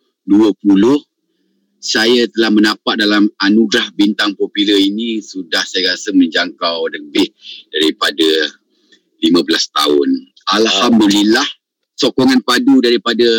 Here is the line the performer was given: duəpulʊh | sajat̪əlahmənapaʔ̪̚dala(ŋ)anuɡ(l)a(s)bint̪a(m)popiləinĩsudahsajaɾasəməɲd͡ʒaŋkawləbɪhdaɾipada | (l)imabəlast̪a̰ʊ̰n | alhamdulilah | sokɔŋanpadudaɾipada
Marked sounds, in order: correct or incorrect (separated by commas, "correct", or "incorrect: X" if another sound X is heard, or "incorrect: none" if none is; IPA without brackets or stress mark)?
incorrect: m, incorrect: ɾ, incorrect: h, incorrect: ŋ, correct